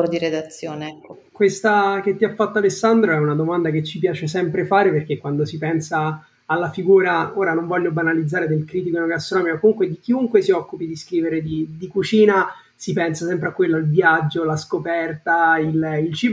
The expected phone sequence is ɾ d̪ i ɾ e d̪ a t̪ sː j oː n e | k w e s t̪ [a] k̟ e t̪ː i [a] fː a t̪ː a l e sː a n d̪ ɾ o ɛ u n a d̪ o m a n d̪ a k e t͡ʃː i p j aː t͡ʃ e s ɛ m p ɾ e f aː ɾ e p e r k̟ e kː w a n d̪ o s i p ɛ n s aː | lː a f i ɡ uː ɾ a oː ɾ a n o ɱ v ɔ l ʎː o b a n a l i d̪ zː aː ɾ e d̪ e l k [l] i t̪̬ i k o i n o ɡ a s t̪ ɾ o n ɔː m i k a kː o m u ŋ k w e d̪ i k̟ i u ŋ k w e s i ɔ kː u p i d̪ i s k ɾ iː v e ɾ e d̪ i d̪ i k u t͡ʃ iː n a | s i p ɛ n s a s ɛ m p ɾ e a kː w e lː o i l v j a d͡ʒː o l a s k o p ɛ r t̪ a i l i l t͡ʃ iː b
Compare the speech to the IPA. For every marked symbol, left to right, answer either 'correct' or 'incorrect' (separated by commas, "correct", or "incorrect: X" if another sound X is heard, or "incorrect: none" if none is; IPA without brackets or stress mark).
correct, correct, incorrect: ɾ